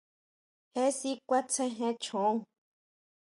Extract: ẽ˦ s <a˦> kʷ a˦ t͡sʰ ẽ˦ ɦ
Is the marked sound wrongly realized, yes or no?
yes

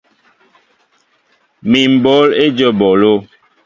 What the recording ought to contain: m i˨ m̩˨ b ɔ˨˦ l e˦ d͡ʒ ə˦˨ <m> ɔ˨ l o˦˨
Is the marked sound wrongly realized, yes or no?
yes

